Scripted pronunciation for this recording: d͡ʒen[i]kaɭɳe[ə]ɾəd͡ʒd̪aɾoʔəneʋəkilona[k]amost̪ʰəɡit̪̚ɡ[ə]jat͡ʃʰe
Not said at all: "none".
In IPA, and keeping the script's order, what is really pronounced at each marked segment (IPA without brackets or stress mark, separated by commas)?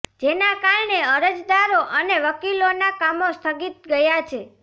a, ə, k, ə